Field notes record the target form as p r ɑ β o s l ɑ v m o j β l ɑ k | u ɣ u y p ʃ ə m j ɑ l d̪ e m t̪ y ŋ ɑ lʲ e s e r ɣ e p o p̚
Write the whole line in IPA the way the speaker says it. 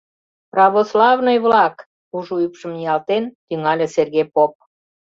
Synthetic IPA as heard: p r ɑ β o s l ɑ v n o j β l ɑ k | u ʒ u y p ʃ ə m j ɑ l t̪ e n t̪ y ŋ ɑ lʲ e s e r ɣ e p o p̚